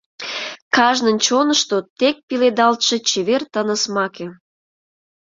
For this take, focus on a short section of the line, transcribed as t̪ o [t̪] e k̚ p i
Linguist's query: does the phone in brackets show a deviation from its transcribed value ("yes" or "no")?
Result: no